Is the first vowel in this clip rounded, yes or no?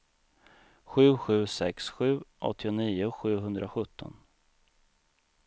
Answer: yes